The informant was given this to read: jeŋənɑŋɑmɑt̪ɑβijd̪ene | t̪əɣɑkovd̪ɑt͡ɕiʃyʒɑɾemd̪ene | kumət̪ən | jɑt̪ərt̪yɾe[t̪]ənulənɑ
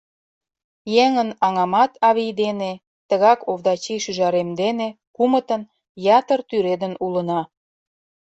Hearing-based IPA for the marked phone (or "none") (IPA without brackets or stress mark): d̪